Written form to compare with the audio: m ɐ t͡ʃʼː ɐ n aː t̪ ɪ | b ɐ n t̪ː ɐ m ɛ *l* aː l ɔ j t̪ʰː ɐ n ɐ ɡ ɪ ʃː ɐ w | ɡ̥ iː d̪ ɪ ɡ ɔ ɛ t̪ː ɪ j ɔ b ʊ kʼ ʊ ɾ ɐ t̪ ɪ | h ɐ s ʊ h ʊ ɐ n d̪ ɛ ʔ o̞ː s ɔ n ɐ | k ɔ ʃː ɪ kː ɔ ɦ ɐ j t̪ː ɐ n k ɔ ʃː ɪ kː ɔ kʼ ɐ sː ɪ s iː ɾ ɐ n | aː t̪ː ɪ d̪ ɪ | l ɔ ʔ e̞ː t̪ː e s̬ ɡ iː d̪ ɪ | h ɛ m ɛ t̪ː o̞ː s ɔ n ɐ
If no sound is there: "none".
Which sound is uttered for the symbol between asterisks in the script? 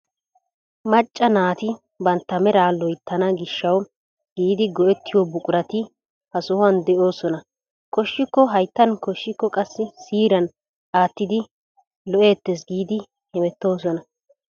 ɾ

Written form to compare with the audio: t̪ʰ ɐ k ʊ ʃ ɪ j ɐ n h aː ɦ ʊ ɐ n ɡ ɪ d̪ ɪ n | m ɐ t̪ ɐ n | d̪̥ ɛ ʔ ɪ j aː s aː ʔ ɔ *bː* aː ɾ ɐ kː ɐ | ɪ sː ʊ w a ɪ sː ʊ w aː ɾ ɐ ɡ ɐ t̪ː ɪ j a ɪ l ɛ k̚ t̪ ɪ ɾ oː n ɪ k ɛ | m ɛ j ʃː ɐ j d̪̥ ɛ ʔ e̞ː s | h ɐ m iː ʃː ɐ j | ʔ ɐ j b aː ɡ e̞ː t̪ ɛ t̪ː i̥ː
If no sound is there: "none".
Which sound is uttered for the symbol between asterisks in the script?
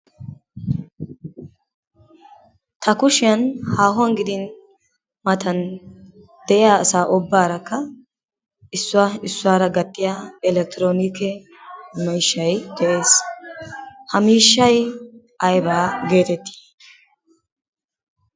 bː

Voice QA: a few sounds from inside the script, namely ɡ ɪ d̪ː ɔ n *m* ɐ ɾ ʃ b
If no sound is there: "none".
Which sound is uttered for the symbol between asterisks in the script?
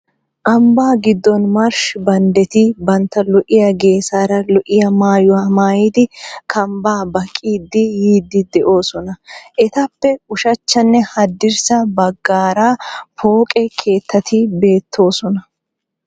m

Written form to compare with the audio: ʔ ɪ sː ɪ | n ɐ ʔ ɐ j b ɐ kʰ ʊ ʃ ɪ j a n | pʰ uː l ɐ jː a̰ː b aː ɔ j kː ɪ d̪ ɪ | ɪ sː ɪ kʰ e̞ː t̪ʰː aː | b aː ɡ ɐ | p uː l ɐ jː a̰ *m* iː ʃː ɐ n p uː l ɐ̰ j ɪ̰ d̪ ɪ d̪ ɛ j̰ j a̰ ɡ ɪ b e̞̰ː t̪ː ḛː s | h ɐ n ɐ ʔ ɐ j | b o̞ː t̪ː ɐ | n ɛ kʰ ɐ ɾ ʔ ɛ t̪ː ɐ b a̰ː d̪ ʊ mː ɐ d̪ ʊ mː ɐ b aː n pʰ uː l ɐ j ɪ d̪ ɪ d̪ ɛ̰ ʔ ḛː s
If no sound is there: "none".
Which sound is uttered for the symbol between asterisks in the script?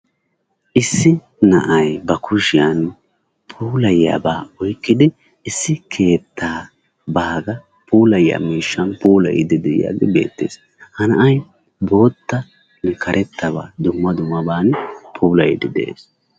m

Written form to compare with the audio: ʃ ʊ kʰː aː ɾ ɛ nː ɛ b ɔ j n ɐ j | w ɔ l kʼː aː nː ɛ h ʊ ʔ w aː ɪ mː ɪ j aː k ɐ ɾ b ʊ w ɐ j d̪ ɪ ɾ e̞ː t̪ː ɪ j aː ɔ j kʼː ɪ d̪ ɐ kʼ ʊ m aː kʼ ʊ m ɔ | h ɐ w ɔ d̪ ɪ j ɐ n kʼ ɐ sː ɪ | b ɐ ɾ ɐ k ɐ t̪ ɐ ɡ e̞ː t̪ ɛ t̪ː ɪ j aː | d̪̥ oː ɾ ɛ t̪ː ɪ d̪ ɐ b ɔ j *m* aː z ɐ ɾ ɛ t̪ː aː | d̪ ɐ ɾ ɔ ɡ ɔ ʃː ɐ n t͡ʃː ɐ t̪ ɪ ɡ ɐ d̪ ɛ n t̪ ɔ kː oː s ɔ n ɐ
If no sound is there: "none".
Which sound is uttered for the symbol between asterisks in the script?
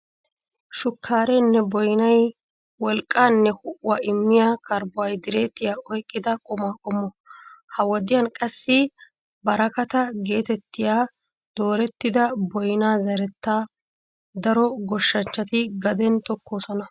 n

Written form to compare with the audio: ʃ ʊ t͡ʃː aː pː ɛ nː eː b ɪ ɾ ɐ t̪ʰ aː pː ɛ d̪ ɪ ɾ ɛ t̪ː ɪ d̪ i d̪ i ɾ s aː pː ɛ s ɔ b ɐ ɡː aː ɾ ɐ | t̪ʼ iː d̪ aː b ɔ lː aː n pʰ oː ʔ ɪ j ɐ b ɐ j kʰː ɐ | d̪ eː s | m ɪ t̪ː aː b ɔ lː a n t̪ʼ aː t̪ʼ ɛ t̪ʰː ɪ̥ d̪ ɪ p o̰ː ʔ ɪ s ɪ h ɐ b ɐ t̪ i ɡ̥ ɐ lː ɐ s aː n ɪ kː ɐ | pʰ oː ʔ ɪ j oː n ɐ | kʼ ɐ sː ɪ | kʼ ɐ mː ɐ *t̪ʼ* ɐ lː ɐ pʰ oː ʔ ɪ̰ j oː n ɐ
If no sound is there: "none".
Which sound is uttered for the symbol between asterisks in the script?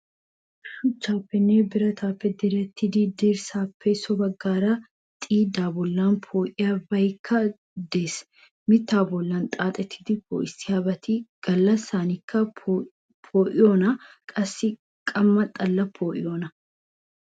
t̪ʼ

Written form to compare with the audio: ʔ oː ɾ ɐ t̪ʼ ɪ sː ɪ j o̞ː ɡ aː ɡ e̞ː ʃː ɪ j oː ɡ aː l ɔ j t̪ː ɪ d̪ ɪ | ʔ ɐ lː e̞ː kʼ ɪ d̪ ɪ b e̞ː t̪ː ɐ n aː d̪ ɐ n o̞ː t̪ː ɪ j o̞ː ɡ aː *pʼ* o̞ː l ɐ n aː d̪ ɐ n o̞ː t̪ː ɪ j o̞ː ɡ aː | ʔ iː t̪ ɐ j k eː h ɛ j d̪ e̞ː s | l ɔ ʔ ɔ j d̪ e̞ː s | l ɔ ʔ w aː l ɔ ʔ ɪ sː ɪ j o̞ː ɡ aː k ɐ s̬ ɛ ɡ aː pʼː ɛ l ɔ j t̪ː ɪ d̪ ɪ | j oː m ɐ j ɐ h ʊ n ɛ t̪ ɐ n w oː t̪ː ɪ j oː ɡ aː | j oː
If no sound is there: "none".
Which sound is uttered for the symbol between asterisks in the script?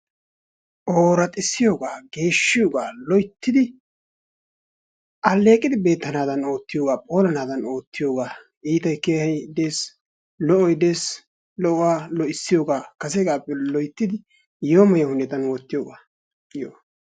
pʼ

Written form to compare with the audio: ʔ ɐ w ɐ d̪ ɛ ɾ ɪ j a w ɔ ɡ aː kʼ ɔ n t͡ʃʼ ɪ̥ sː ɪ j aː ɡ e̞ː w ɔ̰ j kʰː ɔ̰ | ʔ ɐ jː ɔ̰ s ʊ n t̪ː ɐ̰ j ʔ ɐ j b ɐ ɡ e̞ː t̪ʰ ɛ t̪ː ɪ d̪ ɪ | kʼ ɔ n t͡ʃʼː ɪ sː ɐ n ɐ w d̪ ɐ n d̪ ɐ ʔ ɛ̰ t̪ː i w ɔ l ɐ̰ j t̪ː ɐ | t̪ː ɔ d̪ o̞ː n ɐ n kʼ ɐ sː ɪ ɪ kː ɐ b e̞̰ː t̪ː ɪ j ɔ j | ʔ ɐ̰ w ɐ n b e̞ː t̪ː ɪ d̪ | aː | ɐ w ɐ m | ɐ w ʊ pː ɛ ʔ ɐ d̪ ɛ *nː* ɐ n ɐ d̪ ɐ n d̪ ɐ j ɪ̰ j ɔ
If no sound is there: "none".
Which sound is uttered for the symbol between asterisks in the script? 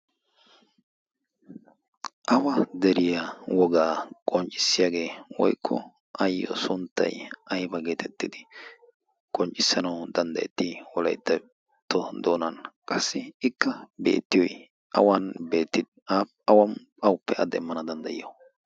mː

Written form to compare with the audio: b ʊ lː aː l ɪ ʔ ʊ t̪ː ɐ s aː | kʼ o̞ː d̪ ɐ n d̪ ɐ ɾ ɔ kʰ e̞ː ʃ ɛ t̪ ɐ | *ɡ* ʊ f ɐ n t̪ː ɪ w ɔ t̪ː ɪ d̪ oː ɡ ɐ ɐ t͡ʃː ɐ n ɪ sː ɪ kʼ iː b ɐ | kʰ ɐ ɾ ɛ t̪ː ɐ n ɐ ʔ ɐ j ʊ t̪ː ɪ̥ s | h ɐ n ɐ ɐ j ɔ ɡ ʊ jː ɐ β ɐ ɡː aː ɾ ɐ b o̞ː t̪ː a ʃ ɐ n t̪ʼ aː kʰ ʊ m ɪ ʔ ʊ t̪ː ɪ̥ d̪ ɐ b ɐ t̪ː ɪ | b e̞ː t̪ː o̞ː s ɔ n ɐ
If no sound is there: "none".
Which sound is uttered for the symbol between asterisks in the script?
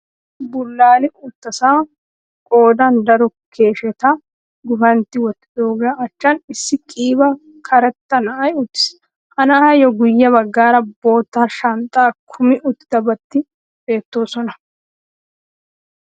ɡ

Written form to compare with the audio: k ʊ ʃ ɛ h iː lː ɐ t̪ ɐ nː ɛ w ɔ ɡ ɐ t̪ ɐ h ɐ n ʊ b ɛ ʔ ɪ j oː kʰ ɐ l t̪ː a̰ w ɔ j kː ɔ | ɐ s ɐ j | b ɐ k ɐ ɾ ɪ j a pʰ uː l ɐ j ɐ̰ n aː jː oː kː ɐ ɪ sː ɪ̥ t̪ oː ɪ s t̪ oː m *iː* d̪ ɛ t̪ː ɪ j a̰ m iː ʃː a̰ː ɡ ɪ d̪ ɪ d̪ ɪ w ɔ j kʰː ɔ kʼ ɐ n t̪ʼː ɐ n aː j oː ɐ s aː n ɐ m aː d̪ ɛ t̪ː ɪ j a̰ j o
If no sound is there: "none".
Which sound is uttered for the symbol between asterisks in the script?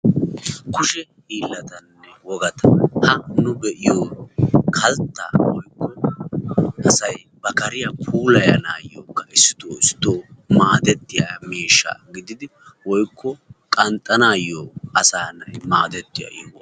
aː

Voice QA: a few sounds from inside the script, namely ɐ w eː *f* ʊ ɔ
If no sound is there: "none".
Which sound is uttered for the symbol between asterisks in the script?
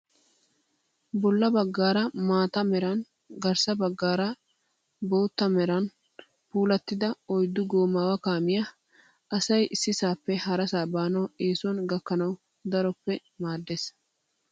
s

